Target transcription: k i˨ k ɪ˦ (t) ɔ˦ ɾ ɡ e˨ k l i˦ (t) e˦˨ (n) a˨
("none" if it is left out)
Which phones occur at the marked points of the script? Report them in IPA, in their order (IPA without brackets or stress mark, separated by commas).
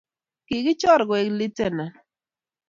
t͡ʃ, t, n